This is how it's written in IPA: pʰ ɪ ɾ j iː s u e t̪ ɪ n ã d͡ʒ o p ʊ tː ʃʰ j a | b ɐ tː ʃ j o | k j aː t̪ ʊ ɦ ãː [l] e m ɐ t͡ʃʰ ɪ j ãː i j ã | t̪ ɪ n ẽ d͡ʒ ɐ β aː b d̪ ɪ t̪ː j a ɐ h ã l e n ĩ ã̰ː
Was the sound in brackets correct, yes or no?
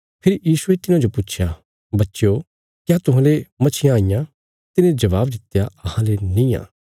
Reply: yes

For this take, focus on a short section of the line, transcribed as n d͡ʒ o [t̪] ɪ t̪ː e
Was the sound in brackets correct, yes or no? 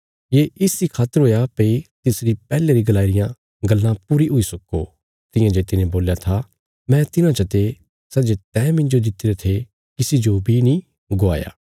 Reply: no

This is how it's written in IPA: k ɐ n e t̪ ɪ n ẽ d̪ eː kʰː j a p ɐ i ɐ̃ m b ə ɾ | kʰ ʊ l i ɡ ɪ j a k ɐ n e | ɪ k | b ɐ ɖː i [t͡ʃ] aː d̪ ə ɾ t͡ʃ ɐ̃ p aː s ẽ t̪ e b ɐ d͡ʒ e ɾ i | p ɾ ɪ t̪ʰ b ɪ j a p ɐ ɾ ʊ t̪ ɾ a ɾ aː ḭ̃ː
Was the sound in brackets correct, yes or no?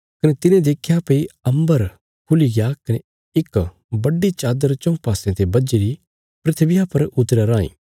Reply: yes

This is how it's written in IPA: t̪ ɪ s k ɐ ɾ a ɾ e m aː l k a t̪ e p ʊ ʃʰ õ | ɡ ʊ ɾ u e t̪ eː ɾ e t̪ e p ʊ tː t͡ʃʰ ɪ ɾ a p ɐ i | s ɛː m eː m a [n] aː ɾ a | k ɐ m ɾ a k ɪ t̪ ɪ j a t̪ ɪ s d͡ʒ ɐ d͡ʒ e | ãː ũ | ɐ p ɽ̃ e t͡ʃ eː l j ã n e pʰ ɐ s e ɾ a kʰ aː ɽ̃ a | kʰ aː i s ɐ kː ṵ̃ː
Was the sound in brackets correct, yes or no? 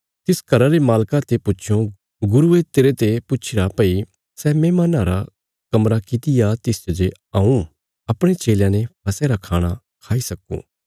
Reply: yes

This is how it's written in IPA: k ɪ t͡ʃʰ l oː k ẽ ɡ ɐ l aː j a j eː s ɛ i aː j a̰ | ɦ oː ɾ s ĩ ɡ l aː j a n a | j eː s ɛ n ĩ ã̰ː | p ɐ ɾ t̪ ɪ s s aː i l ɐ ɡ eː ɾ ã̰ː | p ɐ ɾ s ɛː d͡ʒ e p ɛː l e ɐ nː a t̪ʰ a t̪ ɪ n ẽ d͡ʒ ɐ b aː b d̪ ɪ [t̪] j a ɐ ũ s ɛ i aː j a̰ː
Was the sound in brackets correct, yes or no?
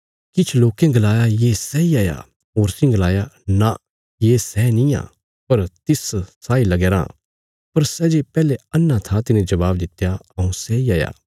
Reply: yes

